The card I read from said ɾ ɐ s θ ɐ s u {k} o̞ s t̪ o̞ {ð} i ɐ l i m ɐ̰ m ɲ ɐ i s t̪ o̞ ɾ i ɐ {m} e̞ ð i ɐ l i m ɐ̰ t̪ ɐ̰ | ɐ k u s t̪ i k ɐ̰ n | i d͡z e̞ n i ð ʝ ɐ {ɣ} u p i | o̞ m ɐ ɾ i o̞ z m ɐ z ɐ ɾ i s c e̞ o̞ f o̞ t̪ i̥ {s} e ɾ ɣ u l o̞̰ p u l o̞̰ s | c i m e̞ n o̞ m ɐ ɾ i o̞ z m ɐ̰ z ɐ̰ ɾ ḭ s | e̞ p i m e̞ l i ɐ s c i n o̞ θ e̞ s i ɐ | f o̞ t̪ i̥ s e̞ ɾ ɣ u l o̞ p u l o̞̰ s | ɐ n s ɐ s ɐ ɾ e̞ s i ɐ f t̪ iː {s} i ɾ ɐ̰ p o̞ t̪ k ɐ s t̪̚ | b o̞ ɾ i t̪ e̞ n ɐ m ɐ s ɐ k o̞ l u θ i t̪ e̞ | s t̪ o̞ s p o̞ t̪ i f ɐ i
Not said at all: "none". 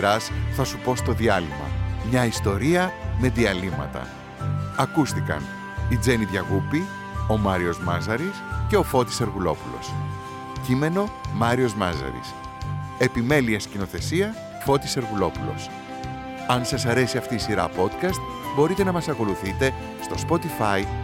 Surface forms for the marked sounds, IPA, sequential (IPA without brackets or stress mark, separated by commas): p, ð, m, ɣ, s, s